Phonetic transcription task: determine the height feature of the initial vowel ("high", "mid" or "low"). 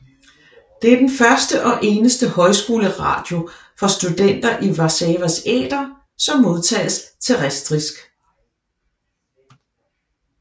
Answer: mid